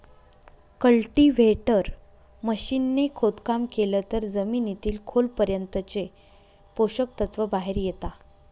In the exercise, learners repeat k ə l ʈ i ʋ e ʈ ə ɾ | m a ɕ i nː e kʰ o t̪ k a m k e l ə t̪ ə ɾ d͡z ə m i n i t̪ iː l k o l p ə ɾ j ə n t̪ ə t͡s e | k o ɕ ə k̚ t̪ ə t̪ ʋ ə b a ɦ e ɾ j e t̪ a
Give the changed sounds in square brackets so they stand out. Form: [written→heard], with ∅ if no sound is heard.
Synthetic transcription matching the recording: k ə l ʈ i ʋ e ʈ ə ɾ | m [a→ə] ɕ i nː e kʰ o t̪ k a m k e l ə t̪ ə ɾ d͡z ə m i n i t̪ iː l [k→kʰ] o l p ə ɾ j ə n t̪ ə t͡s e | [k→p] o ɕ ə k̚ t̪ ə t̪ ʋ ə b a ɦ e ɾ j e t̪ a